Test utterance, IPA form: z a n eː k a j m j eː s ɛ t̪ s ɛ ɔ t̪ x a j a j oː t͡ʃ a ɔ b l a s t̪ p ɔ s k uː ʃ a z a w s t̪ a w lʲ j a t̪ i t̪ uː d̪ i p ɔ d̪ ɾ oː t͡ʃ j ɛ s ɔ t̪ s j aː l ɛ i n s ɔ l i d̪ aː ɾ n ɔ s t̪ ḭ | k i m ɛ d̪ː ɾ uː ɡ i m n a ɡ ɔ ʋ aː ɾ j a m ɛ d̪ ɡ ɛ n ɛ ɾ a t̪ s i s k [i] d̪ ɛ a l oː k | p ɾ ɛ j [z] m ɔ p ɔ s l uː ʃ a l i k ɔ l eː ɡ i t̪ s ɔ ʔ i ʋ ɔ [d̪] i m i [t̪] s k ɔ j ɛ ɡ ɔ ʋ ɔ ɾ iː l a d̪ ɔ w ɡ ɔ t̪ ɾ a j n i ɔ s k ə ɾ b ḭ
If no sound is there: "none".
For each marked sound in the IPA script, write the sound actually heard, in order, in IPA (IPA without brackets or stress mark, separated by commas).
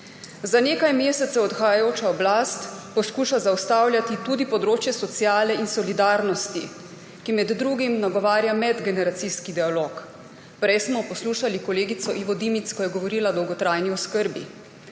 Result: i, s, d̪, t̪